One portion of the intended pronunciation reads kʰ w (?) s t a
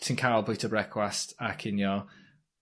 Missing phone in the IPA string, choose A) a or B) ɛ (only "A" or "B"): A